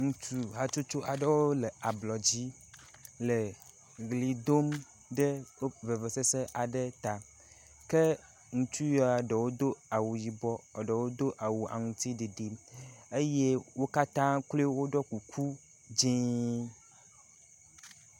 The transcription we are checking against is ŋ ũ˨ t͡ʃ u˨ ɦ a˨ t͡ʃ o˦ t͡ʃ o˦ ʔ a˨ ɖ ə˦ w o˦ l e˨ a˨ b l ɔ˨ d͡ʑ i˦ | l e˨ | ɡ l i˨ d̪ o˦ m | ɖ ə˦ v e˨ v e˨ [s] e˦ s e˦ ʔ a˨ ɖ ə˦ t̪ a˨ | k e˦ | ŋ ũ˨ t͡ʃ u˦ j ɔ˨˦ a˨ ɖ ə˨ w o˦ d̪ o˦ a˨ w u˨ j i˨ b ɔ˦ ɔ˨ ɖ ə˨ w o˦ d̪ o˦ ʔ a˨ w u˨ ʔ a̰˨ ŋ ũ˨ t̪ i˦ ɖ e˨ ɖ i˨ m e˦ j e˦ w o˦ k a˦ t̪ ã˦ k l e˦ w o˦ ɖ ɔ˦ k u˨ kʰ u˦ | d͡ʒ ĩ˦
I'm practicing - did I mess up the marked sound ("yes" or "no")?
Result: no